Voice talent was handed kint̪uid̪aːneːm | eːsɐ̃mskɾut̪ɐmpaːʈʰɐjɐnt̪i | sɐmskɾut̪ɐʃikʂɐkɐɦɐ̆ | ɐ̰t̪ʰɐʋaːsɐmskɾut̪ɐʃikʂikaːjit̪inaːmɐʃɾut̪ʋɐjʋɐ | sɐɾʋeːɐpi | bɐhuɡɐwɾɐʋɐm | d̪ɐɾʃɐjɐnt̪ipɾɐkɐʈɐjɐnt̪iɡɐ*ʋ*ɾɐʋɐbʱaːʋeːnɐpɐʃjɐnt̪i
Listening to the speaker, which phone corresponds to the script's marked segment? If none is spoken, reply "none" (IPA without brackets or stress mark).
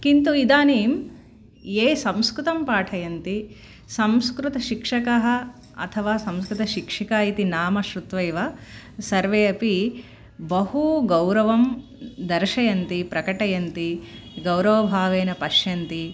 w